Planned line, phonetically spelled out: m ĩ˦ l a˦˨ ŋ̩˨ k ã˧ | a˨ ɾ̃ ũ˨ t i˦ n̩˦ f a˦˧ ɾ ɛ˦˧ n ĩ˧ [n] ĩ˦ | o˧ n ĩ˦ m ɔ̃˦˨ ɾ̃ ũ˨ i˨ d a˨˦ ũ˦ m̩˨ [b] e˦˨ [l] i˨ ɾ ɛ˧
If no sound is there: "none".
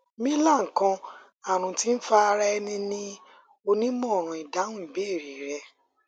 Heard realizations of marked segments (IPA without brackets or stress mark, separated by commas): n, b, ɾ